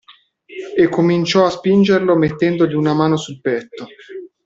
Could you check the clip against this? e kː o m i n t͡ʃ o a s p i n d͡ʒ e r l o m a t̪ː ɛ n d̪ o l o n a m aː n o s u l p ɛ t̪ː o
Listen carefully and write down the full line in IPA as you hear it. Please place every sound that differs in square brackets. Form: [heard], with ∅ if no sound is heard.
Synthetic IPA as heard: e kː o m i n t͡ʃ [ɔ] a s p i n d͡ʒ e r l o m [e] t̪ː ɛ n d̪ o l [u] n a m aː n o s u l p ɛ t̪ː o